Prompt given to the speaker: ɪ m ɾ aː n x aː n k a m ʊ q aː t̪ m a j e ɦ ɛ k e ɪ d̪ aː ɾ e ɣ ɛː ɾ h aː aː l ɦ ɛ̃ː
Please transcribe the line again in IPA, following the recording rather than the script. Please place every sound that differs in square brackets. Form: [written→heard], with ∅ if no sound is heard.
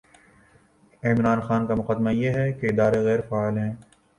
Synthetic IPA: ɪ m ɾ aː n x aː n k a m ʊ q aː [t̪→d̪] m a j e ɦ ɛ k e ɪ d̪ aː ɾ e ɣ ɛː ɾ [h→f] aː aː l ɦ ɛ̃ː